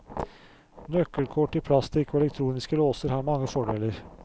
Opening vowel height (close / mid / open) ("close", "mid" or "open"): mid